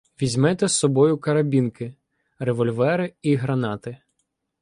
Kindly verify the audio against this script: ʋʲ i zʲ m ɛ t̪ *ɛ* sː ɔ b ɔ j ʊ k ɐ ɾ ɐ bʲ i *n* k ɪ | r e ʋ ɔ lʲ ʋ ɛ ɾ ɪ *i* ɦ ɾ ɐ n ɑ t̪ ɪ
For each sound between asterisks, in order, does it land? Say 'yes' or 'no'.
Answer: yes, yes, yes

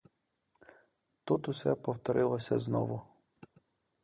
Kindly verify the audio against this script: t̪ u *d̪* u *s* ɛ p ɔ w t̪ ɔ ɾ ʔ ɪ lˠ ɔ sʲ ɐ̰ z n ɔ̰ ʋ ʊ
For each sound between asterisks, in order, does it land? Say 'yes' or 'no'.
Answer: no, yes

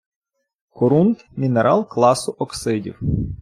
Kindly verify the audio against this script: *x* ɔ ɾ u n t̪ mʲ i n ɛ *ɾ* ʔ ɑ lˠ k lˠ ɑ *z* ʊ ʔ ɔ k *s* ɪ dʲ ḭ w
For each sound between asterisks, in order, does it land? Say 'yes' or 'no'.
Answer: no, yes, no, yes

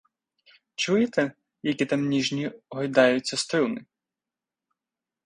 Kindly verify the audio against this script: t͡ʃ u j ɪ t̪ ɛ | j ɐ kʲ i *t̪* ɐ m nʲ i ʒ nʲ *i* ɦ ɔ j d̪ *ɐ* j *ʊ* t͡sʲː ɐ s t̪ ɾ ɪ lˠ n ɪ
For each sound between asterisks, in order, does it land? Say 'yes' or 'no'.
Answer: yes, yes, no, yes

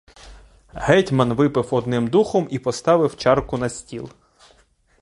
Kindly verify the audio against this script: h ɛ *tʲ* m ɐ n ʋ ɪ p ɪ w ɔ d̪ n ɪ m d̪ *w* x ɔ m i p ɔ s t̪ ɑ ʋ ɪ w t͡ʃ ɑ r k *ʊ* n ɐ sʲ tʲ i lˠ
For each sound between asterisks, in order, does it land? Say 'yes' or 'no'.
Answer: yes, no, yes

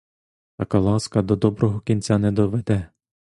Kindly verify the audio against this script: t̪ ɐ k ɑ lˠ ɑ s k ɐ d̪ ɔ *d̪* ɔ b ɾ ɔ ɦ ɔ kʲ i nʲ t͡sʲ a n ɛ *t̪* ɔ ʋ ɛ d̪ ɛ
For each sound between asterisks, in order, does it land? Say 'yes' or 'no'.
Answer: yes, no

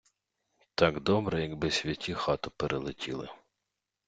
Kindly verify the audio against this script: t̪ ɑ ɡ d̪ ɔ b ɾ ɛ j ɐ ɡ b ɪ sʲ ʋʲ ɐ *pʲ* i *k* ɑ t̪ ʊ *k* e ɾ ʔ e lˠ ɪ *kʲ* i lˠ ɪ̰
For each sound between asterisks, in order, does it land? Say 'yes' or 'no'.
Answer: no, no, no, no

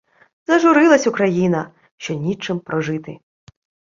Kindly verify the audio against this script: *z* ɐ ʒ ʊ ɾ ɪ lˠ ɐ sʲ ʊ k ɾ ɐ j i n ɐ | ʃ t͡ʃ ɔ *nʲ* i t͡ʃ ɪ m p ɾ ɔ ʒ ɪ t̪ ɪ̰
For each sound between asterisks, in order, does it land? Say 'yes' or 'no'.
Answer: yes, yes

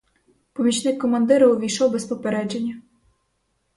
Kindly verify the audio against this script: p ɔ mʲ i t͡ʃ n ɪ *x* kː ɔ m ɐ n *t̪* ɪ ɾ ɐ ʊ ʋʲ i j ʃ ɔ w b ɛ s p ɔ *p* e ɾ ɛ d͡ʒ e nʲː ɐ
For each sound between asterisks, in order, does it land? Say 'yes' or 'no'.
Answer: no, no, yes

